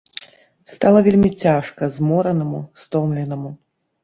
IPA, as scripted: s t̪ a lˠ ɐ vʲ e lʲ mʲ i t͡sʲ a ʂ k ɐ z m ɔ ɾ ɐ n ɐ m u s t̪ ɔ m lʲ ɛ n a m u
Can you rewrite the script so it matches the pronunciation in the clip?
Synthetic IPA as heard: s t̪ a lˠ ɐ vʲ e lʲ mʲ i t͡sʲ a ʂ k ɐ z m ɔ ɾ ɐ n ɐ m u s t̪ ɔ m lʲ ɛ n ɐ m u

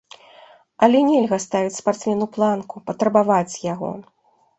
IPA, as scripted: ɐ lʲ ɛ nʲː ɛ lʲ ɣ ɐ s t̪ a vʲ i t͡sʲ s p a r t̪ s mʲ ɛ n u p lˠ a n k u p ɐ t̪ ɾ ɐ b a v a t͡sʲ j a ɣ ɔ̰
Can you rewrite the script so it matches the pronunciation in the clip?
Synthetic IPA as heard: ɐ lʲ ɛ nʲ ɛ lʲ ɣ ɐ s t̪ a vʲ i t͡sʲ s p a r t̪ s mʲ ɛ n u p lˠ a n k u p ɐ t̪ ɾ ɐ b a v a t͡sʲ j a ɣ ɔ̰

